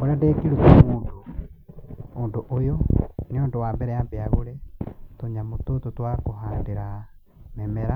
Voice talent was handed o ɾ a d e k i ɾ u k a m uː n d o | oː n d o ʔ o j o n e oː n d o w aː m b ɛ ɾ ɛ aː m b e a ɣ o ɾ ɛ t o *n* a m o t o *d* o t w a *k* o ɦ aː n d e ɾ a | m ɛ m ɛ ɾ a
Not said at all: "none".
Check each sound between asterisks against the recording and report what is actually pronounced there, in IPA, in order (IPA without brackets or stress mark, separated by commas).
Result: ɲ, t, k